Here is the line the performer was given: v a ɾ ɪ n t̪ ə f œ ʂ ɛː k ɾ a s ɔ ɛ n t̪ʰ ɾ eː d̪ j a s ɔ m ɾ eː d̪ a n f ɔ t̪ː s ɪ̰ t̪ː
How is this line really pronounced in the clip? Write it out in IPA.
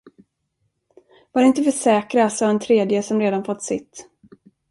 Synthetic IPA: v a ɾ ɪ n t̪ ə f œ ʂ ɛː k ɾ a s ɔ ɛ n t̪ʰ ɾ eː d̪ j ə s ɔ m ɾ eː d̪ a n f ɔ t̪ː s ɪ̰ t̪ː